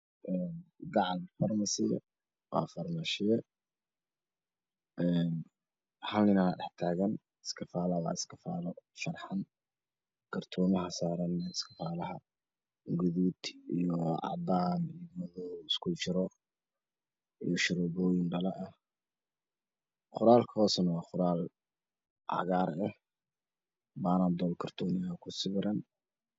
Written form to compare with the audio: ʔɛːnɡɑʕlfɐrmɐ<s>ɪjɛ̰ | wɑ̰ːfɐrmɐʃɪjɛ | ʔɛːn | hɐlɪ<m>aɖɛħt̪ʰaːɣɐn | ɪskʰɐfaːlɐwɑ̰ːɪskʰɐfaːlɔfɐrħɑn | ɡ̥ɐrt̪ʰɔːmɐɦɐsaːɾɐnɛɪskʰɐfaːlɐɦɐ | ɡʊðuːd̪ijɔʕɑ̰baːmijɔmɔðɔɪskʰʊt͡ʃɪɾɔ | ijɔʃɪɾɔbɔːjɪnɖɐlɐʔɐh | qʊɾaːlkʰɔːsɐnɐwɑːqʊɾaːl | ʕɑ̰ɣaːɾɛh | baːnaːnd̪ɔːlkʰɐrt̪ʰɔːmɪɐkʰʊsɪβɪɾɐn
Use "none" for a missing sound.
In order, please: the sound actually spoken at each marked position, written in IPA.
s, n

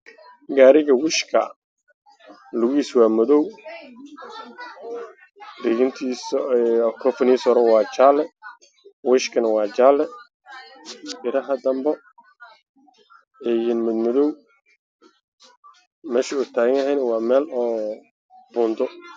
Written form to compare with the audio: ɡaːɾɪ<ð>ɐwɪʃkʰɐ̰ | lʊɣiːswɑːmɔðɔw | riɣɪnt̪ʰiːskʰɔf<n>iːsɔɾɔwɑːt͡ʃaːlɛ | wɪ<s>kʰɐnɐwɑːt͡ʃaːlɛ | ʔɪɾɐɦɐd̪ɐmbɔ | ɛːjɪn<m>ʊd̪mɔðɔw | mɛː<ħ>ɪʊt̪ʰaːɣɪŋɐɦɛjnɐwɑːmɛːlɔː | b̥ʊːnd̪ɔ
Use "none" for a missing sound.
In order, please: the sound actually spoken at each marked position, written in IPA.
ɣ, n, ʃ, m, ʃ

